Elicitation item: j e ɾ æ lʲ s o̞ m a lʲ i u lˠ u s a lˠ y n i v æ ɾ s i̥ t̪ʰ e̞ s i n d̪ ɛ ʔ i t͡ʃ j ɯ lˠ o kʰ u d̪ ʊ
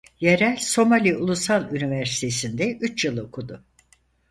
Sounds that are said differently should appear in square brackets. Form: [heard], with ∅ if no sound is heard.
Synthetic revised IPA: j e ɾ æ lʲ s o̞ m a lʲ i u lˠ u s a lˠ y n i v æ ɾ s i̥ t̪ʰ e̞ s i n d̪ ɛ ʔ [y] t͡ʃ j ɯ lˠ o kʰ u d̪ ʊ